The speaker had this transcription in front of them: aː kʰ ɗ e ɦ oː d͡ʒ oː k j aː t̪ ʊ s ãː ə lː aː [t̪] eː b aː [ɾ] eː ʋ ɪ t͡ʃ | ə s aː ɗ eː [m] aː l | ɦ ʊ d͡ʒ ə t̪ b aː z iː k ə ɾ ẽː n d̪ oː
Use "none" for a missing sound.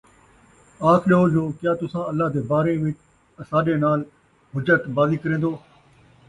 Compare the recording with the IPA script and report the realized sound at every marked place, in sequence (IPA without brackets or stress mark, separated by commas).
d̪, ɾ, n